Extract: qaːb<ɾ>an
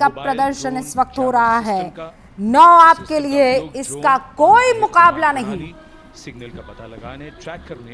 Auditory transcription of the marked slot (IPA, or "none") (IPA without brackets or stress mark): l